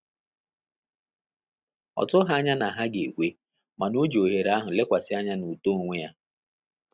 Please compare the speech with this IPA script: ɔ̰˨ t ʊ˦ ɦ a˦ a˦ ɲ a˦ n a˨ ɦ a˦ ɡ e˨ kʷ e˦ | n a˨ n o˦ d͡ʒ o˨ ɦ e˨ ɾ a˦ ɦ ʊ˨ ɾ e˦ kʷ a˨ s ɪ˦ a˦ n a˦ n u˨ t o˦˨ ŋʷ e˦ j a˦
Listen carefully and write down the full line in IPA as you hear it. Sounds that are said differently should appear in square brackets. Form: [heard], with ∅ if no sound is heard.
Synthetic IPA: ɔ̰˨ t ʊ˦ ɦ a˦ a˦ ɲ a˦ n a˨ ɦ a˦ ɡ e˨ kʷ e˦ | [m] a˨ n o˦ d͡ʒ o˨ ɦ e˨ ɾ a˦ ɦ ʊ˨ [l] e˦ kʷ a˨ s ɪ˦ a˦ [ɲ] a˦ n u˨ t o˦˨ ŋʷ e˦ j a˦